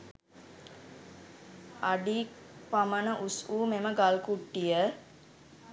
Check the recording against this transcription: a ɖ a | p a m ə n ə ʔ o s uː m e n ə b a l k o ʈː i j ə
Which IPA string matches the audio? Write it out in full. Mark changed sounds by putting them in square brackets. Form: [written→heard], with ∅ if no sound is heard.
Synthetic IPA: a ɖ [a→i] | p a m ə n ə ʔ [o→u] s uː m e [n→m] ə [b→ɡ] a l k [o→u] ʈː i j ə